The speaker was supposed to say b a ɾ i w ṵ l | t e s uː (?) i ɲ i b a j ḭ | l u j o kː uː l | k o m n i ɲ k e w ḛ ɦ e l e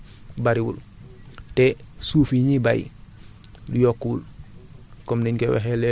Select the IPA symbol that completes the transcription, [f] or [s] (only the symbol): f